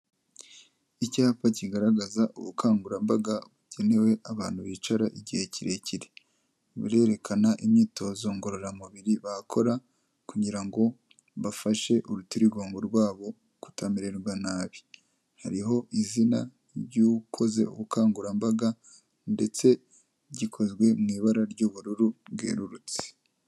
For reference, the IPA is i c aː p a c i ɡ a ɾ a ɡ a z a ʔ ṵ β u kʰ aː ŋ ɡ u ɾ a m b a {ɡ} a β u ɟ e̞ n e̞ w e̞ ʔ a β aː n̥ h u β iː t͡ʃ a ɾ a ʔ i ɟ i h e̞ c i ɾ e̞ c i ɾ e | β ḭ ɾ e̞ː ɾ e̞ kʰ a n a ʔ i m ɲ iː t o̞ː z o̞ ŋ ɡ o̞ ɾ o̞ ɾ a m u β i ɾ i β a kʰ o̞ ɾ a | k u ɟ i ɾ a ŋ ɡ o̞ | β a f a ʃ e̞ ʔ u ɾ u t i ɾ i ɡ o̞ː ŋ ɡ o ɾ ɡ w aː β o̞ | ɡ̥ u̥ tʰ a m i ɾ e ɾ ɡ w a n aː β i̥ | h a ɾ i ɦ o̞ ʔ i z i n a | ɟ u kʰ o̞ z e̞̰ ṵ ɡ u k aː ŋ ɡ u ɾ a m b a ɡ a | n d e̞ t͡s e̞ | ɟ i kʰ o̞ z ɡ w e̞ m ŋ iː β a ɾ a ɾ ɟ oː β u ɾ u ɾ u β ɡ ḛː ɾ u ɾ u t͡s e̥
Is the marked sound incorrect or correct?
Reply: correct